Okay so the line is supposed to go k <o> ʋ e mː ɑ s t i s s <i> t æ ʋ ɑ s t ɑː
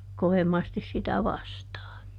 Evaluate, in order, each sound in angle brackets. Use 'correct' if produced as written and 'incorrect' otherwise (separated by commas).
correct, correct